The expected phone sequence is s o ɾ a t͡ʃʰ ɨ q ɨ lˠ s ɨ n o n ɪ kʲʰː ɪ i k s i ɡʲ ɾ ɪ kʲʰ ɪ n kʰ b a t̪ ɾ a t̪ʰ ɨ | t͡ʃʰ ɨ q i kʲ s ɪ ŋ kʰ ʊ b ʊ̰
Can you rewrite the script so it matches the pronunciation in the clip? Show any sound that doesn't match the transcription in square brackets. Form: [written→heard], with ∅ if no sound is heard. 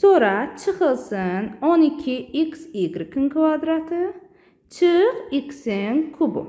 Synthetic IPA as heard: s o ɾ a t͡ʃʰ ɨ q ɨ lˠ s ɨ n o n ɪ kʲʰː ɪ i k s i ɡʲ ɾ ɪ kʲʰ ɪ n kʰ [b→v] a [t̪→d̪] ɾ a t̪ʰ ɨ | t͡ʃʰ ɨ q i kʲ s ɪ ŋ kʰ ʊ b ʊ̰